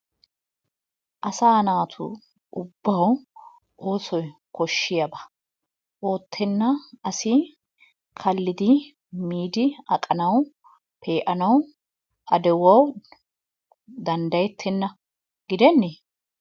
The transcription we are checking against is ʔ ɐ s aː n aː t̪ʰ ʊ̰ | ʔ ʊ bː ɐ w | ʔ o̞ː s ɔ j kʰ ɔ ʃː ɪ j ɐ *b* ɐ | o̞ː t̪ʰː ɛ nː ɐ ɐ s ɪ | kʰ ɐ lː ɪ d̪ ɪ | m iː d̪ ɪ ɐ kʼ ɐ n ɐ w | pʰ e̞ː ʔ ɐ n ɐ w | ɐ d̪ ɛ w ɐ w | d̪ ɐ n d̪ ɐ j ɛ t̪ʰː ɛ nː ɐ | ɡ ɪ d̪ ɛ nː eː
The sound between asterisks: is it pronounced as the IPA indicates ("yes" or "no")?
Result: yes